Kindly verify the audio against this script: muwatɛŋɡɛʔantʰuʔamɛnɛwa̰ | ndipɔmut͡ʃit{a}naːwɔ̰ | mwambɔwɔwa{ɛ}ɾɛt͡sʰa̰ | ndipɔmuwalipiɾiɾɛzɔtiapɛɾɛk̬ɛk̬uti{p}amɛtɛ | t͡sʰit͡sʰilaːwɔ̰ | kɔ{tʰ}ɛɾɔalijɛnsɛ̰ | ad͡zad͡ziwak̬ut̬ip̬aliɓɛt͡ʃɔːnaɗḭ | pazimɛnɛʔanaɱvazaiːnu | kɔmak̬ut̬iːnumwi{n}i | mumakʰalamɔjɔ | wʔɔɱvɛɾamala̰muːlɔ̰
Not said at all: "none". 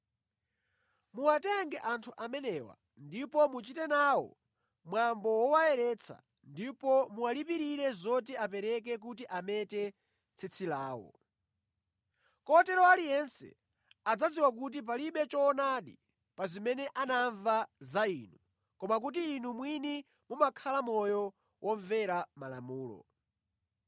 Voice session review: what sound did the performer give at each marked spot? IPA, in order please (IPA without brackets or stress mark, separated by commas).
ɛ, ɛ, ʔ, t, n